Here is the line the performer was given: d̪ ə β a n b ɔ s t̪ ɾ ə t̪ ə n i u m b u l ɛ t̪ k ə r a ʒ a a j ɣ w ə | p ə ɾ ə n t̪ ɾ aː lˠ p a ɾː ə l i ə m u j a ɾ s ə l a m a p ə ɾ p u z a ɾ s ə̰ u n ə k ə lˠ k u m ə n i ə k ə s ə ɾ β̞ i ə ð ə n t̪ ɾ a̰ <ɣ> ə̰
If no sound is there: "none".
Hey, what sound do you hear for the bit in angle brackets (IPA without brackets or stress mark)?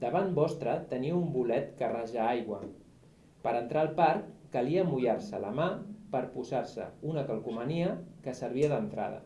ð